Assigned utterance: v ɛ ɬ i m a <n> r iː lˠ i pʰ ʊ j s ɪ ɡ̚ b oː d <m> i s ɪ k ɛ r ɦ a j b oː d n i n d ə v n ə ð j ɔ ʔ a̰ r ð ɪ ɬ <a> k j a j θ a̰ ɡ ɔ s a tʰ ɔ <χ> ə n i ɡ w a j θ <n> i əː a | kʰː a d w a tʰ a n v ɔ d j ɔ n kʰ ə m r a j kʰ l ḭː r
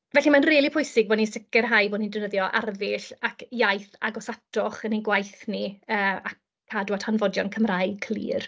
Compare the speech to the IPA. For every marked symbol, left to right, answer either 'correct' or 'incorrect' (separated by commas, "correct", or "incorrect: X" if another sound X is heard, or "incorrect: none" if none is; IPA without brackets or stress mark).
correct, incorrect: n, correct, correct, correct